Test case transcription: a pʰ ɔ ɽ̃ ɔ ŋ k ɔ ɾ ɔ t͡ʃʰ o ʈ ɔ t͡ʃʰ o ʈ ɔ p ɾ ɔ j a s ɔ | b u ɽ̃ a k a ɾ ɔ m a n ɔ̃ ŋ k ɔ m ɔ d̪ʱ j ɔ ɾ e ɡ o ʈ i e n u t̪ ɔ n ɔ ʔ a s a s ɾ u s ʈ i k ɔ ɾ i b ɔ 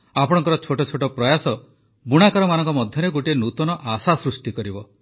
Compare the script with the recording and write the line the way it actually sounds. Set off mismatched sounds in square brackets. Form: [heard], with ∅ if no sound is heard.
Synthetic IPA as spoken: a [p] ɔ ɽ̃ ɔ ŋ k ɔ ɾ ɔ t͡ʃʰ o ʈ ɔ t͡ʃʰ o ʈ ɔ p ɾ ɔ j a s ɔ | b u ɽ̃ a k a ɾ ɔ m a n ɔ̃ ŋ k ɔ m ɔ d̪ʱ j ɔ ɾ e ɡ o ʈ i e n u t̪ ɔ n ɔ ʔ a s a s ɾ u s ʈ i k ɔ ɾ i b ɔ